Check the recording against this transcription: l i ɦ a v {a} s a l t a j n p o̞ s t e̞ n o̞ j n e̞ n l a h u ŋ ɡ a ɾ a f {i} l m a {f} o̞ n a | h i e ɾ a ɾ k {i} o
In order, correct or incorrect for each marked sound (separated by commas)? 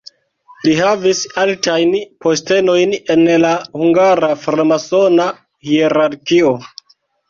incorrect, incorrect, incorrect, correct